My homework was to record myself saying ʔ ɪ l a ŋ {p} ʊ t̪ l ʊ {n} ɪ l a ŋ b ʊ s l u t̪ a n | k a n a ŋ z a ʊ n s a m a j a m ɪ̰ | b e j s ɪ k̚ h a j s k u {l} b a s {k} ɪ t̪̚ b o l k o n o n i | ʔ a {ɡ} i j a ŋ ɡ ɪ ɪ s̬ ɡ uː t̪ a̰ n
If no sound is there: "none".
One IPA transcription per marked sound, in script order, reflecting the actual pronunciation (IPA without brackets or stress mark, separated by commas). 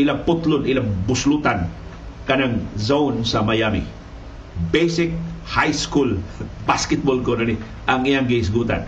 p, n, l, k, ŋ